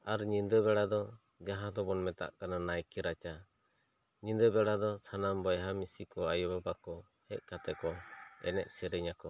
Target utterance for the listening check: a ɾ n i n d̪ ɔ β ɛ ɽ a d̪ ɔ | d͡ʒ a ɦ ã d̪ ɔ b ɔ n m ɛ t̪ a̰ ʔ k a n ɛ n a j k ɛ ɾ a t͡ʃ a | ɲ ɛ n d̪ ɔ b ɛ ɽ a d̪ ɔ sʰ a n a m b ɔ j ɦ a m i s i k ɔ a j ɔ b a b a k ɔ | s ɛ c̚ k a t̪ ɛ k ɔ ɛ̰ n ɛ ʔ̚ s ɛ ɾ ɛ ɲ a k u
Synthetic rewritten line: a ɾ ɲ i n d̪ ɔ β ɛ ɽ a d̪ ɔ | d͡ʒ a ɦ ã d̪ ɔ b ɔ n m ɛ t̪ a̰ ʔ k a n a n a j k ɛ ɾ a t͡ʃ a | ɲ i n d̪ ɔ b ɛ ɽ a d̪ ɔ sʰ a n a m b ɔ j ɦ a m i s i k ɔ a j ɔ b a b a k ɔ | h ɛ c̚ k a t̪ ɛ k ɔ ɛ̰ n ɛ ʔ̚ s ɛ ɾ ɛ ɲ a k ɔ